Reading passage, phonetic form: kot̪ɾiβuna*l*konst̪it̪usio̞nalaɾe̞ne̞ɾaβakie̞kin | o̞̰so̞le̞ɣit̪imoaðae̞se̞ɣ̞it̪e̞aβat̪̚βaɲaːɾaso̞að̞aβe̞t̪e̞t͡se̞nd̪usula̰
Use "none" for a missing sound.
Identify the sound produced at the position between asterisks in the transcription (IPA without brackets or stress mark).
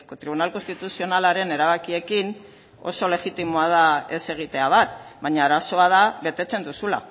l